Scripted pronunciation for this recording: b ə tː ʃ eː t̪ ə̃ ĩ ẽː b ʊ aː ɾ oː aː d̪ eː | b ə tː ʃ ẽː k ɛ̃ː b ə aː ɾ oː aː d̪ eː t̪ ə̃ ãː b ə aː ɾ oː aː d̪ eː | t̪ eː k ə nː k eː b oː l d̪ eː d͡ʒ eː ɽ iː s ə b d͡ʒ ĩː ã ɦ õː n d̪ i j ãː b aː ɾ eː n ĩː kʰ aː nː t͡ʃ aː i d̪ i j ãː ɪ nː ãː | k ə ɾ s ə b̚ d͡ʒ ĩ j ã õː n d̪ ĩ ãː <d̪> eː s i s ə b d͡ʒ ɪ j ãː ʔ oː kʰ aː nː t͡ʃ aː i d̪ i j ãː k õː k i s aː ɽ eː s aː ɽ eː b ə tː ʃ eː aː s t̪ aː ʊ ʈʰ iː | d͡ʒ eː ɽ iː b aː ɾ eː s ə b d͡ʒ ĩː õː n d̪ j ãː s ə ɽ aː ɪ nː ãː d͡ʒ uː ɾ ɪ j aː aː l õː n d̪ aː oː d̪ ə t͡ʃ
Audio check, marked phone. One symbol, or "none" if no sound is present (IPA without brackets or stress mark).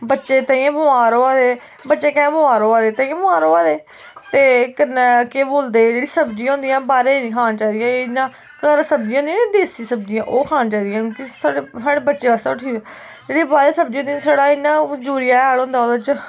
d̪